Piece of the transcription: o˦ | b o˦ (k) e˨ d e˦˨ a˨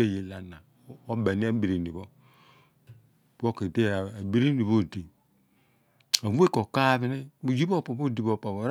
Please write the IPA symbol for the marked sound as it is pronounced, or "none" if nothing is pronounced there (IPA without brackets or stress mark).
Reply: k